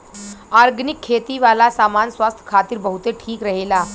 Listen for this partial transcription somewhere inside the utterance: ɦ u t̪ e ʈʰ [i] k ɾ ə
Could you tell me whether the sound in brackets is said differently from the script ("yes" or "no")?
yes